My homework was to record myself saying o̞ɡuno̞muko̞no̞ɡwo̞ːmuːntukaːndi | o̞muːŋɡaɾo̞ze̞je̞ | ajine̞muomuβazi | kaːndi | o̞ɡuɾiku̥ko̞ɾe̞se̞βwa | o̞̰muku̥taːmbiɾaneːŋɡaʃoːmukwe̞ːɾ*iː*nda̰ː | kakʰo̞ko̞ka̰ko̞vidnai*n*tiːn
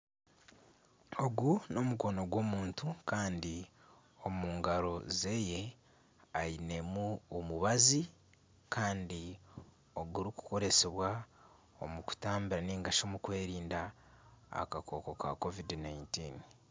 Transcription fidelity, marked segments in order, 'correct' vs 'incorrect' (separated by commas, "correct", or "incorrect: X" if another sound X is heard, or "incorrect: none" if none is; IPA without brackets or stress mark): correct, correct